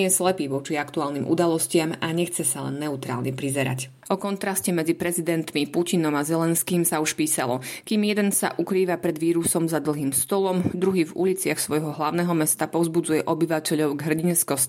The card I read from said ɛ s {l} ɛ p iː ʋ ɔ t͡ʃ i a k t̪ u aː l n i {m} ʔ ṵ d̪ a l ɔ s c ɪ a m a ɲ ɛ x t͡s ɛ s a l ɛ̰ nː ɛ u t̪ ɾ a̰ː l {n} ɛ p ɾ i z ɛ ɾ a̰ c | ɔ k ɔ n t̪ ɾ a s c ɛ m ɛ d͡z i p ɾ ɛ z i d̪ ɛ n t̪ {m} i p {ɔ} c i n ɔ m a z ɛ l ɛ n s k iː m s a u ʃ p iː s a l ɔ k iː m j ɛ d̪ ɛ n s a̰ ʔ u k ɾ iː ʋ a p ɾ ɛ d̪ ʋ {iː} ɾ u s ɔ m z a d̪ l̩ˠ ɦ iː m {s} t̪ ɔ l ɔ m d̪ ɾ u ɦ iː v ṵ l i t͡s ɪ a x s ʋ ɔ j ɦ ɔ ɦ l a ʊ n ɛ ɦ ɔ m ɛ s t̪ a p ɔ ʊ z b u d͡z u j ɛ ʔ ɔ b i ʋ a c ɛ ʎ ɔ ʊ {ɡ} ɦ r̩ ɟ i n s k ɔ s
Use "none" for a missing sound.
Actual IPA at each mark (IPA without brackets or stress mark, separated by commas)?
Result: l, m, ɲ, m, u, iː, s, ɡ